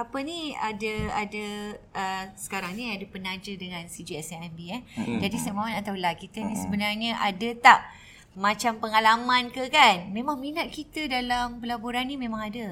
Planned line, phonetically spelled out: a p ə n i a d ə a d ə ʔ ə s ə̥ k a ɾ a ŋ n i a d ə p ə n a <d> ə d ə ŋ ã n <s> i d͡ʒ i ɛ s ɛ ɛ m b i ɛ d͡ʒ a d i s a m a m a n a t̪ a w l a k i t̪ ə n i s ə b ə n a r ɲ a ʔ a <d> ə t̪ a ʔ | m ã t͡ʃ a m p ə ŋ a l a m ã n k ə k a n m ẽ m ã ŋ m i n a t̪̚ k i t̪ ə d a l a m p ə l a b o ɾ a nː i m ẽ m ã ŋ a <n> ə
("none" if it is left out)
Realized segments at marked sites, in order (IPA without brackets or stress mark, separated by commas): d͡ʒ, s, d, d